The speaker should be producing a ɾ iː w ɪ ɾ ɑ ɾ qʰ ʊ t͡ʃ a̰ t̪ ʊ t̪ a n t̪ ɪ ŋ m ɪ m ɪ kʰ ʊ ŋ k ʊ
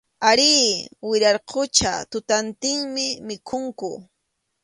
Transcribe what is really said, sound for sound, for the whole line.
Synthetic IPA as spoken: a ɾ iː w ɪ ɾ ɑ ɾ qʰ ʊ t͡ʃ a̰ t̪ ʊ t̪ a n t̪ ɪ ŋ m ɪ m ɪ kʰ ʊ ŋ k ʊ